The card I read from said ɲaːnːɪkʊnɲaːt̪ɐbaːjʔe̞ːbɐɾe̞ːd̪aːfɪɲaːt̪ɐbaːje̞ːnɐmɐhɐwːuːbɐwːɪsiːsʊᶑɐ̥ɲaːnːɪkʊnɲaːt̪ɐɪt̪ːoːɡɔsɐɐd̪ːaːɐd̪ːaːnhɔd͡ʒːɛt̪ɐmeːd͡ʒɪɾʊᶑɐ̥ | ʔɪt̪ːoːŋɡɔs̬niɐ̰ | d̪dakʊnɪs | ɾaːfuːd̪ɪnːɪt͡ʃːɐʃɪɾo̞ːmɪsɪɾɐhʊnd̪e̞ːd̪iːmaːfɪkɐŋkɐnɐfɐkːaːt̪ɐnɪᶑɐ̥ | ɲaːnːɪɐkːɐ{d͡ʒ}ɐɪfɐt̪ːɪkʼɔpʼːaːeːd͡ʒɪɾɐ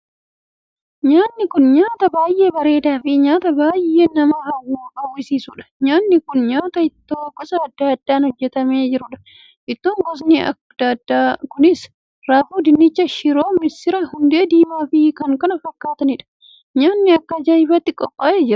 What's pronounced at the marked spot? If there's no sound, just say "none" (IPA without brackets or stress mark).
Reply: d͡ʒ